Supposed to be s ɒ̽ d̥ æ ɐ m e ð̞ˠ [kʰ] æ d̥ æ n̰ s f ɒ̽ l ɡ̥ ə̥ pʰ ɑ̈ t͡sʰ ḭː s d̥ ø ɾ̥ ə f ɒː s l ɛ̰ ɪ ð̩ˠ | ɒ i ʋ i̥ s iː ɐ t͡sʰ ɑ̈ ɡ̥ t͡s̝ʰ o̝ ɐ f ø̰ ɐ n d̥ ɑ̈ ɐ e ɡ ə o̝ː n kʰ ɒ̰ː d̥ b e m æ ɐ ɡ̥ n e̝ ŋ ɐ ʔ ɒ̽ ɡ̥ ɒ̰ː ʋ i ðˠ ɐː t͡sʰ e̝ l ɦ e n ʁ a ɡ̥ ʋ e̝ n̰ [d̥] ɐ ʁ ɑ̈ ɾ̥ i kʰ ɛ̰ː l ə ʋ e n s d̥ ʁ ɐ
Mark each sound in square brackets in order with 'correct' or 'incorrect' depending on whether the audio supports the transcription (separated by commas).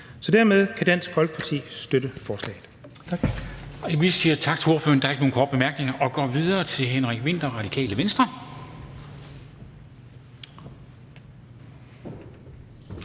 correct, correct